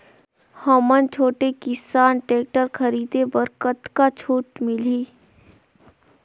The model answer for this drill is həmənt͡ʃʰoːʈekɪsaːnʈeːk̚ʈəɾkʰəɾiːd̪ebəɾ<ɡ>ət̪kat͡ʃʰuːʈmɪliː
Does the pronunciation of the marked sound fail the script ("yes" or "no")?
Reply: yes